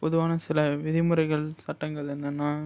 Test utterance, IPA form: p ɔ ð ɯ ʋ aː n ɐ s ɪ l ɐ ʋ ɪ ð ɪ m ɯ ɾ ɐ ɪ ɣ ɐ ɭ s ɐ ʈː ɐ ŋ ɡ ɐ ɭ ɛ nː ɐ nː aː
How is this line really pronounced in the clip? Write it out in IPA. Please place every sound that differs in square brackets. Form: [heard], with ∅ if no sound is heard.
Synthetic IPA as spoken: p ɔ ð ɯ ʋ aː n ɐ s ɪ l ɐ ʋ ɪ ð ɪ m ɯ ɾ ɐ ɪ ɣ ɐ ɭ s ɐ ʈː ɐ ŋ ɡ ɐ ɭ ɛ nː ɐ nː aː